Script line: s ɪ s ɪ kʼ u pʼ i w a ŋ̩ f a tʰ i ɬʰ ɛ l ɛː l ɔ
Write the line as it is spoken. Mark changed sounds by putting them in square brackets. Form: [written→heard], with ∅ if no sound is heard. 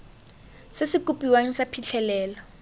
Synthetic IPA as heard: s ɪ s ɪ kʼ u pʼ i w a ŋ̩ [f→s] a [tʰ→pʰ] i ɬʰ ɛ l ɛː l ɔ